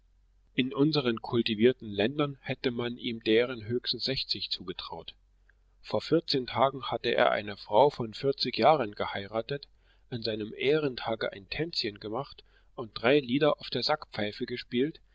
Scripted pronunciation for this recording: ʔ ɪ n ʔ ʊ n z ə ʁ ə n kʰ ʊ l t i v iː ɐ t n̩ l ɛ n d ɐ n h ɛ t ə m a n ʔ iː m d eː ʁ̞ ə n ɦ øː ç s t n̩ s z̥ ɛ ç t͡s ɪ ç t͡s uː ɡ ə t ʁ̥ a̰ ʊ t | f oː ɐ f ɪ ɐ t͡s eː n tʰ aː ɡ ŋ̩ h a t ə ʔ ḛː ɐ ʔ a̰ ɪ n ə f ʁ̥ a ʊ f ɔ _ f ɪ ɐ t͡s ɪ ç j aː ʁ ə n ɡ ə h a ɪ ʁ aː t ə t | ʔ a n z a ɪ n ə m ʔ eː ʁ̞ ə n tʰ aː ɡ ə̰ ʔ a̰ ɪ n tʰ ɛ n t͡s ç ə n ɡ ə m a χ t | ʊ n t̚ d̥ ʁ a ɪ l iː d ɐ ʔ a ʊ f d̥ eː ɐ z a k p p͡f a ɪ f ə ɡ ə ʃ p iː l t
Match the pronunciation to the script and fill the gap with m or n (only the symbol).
n